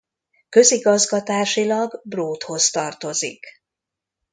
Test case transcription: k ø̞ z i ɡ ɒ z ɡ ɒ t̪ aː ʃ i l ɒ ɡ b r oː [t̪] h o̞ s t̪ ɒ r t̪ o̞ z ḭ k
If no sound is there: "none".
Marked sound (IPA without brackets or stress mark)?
t̪